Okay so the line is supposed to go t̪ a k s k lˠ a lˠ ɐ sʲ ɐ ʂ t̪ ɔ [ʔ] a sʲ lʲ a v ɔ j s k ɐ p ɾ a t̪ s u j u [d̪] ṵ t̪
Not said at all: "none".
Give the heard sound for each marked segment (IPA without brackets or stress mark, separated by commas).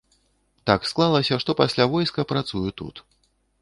p, t̪